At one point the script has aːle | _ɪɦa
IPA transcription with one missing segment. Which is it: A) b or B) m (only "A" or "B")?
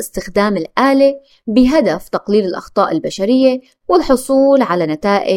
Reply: A